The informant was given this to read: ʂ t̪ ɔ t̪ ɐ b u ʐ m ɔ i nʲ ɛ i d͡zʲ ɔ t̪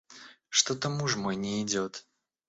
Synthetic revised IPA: ʂ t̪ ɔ t̪ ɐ m u ʐ m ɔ j nʲ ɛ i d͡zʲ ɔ t̪